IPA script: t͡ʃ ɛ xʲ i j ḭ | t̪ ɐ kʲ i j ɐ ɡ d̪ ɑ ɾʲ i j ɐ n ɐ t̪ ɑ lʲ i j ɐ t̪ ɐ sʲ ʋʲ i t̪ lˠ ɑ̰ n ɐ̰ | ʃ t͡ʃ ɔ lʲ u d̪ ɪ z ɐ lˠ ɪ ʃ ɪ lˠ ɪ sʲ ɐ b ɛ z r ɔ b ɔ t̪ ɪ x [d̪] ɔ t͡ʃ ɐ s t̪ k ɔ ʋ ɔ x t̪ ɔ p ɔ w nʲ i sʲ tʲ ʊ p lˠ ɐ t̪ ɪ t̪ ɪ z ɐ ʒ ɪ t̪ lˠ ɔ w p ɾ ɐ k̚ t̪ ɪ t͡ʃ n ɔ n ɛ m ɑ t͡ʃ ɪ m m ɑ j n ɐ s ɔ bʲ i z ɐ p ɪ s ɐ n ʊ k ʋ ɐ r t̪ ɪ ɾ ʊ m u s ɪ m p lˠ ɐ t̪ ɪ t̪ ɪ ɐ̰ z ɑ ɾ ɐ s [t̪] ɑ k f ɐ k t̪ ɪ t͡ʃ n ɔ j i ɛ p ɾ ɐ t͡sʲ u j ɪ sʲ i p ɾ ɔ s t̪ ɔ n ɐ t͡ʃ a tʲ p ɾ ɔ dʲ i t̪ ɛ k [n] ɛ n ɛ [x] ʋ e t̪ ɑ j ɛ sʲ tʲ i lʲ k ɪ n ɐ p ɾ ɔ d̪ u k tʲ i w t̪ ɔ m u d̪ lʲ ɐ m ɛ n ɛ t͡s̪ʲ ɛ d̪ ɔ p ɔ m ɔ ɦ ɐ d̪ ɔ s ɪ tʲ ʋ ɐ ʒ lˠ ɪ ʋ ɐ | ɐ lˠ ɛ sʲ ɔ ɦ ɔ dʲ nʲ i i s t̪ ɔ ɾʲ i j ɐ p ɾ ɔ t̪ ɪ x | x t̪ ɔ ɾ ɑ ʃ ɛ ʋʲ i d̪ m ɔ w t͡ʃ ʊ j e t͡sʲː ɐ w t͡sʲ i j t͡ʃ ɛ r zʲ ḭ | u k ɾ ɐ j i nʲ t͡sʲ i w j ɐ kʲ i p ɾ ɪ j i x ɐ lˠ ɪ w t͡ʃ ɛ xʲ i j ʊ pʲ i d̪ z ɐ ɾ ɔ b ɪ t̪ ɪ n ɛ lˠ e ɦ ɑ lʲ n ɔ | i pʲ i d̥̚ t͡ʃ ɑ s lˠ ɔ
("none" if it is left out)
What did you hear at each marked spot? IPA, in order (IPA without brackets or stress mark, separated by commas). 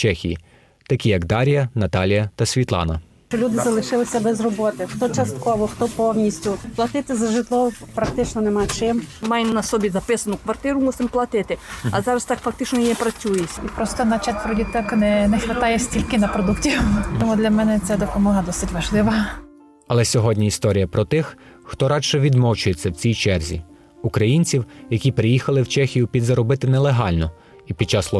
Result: t̪, t̪, n, x